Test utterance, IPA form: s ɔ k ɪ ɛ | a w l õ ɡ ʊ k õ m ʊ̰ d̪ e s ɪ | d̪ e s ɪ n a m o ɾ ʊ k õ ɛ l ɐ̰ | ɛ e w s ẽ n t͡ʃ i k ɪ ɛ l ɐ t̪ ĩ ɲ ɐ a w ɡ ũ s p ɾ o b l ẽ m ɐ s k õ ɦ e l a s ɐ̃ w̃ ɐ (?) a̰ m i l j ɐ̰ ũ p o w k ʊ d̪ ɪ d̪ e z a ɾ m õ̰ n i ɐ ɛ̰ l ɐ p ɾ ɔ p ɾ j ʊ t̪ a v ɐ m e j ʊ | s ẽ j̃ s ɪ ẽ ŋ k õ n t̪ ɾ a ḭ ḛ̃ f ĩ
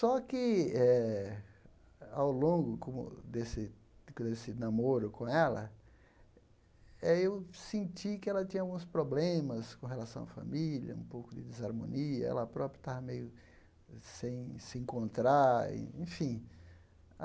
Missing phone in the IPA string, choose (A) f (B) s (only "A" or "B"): A